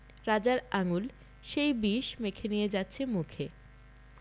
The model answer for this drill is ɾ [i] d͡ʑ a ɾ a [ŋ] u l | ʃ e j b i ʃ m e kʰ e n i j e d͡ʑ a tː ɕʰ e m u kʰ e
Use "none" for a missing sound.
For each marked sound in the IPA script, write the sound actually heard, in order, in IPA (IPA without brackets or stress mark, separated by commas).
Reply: a, ŋ